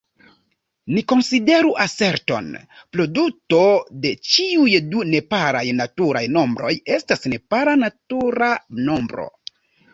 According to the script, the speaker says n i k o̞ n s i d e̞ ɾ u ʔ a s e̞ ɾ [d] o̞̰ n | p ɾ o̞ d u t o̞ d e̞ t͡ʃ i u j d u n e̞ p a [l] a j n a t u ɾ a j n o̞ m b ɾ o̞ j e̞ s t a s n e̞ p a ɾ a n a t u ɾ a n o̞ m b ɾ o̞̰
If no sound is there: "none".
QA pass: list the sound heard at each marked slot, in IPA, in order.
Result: t, ɾ

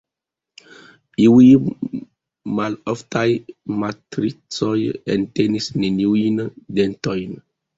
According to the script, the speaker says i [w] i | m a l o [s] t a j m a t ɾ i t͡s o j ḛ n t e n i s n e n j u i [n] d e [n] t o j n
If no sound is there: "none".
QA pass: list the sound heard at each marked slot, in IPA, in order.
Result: w, f, n, n

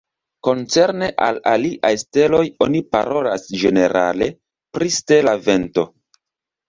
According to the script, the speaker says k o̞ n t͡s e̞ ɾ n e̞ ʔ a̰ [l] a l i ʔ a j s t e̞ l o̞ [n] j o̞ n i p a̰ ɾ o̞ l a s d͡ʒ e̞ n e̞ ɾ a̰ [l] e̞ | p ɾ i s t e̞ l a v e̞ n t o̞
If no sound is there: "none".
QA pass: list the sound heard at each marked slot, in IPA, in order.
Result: l, none, l

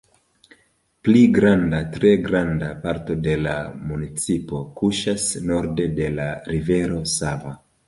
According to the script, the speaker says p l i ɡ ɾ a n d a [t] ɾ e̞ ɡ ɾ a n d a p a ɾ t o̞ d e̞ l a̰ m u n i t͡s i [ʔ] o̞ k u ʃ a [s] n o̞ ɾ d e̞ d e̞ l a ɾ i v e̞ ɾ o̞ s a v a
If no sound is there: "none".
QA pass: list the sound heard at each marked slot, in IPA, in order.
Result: t, p, s

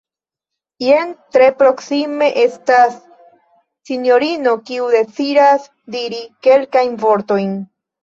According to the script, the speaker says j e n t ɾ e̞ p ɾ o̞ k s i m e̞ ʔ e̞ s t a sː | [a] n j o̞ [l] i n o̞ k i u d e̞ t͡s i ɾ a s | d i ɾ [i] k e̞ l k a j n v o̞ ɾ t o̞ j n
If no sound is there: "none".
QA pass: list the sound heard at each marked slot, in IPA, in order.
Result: i, ɾ, i

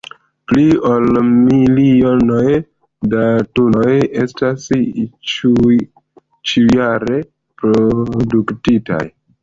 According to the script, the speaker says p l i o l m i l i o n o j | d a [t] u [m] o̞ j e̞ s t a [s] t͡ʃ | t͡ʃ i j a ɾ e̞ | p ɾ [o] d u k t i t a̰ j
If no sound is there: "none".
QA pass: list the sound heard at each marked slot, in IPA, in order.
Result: t, n, s, o

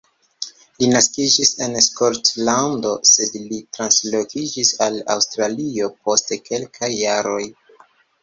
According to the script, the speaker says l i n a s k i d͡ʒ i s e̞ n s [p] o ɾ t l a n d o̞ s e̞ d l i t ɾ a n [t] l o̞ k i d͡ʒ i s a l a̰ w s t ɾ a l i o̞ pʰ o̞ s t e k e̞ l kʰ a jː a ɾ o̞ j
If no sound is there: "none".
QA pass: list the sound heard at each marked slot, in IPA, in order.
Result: k, s

